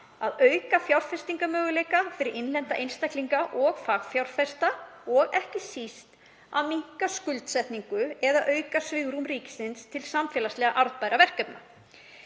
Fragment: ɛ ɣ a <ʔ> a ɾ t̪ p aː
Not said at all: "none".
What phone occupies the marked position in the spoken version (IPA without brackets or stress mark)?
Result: ʔ